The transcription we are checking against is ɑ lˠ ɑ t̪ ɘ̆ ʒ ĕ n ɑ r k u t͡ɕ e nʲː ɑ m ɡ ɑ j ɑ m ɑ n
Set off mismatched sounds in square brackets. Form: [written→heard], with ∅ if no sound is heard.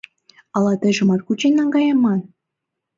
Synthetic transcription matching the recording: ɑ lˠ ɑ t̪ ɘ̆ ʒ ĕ [n→m] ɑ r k u t͡ɕ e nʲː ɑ [m→ŋ] ɡ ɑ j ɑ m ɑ n